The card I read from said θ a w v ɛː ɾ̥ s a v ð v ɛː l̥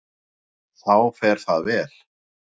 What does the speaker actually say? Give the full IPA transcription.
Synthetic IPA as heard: θ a w f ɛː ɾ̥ θ a ð v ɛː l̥